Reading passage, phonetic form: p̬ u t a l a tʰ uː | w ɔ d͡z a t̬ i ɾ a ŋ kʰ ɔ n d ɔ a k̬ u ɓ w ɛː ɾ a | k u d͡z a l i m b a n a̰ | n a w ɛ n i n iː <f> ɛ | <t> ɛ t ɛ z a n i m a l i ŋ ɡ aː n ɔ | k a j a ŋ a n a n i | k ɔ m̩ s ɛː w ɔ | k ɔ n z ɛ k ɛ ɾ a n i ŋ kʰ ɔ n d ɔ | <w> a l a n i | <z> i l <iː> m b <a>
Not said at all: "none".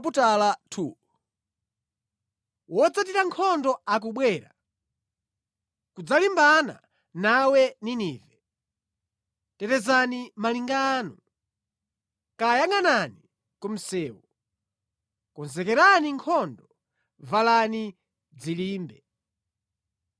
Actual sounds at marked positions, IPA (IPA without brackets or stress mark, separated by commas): v, t, v, d͡z, iː, ɛ